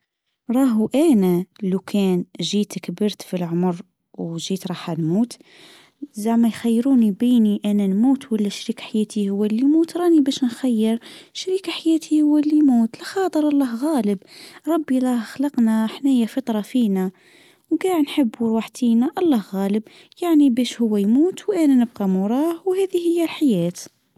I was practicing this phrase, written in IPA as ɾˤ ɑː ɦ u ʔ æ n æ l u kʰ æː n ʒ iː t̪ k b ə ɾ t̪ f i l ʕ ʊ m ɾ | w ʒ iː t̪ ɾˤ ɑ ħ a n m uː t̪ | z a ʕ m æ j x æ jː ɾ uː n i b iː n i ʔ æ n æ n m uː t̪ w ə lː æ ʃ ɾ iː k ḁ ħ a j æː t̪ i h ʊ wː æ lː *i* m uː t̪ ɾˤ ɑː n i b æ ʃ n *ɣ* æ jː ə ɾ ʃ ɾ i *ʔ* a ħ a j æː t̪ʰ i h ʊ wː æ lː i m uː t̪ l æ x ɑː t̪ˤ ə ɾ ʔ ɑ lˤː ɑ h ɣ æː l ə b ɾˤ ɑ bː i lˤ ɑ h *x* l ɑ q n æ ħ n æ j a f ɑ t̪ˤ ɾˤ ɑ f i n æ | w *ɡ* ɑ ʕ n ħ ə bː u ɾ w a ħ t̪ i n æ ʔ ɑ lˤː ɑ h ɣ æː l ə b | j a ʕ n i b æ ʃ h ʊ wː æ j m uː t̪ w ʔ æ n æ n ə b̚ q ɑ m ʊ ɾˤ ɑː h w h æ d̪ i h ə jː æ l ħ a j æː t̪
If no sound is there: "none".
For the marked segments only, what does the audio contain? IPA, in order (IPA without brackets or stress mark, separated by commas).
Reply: i, x, k, x, ɡ